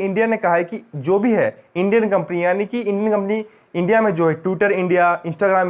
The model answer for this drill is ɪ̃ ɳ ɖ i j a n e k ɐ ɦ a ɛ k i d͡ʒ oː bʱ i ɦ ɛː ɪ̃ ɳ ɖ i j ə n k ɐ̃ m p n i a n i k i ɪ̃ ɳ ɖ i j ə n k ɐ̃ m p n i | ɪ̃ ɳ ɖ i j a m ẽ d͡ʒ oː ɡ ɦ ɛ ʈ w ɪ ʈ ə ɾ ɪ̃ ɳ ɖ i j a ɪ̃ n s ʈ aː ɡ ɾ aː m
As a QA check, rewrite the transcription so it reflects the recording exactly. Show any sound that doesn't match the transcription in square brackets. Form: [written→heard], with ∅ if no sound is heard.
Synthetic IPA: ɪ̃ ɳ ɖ i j a n e k ɐ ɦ a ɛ k i d͡ʒ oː bʱ i ɦ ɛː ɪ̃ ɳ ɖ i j ə n k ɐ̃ m p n i a n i k i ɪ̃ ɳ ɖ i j ə n k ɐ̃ m p n i | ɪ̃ ɳ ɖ i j a m ẽ d͡ʒ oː [ɡ→∅] ɦ ɛ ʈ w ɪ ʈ ə ɾ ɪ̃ ɳ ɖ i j a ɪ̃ n s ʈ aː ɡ ɾ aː m